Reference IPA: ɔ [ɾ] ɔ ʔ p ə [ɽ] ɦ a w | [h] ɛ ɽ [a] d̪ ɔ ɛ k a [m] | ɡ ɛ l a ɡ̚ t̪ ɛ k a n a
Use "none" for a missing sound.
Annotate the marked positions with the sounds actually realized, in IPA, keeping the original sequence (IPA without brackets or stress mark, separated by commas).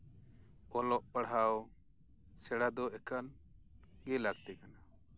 l, ɽ, s, a, n